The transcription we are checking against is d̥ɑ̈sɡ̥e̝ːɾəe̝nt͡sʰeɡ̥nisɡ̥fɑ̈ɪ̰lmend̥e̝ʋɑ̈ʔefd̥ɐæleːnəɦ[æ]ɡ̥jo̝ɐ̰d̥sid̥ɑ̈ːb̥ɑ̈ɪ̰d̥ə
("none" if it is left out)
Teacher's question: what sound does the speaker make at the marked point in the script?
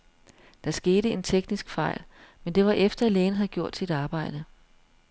æ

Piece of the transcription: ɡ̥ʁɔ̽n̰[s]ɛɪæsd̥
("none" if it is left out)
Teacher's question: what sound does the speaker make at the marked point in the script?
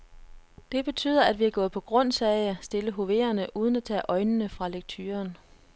s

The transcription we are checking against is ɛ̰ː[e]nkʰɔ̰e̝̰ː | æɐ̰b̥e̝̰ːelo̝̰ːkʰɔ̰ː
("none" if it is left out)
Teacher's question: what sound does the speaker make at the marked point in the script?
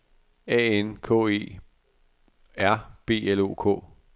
e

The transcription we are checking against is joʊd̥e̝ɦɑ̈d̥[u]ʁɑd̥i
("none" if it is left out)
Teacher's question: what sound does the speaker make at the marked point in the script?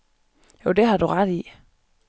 u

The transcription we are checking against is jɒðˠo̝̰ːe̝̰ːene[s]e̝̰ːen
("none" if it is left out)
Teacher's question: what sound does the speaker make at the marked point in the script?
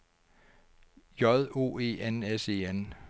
s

